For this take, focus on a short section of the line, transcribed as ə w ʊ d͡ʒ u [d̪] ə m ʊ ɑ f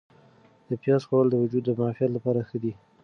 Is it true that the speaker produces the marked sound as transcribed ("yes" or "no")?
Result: no